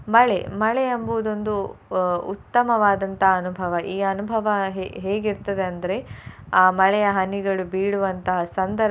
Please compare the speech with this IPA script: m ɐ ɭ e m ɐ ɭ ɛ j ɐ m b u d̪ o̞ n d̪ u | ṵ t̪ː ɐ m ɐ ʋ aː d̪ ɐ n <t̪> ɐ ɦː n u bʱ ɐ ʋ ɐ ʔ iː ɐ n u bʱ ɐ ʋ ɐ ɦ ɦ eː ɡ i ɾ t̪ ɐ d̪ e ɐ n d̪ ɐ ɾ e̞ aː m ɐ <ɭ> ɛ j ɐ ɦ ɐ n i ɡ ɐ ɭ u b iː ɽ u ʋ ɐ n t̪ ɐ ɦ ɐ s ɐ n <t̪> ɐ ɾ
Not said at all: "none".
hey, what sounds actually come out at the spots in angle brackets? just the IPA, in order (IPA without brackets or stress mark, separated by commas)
t̪, ɭ, d̪